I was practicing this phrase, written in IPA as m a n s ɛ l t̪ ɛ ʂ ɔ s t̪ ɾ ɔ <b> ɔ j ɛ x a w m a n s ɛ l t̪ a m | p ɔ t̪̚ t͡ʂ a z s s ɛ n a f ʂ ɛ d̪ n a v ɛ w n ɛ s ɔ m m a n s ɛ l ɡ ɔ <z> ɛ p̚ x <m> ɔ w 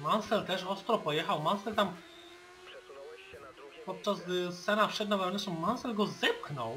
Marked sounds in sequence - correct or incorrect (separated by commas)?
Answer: incorrect, correct, incorrect